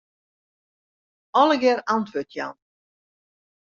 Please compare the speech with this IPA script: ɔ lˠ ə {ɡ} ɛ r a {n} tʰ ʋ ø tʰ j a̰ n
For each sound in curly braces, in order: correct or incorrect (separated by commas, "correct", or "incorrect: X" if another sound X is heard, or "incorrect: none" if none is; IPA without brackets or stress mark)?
correct, correct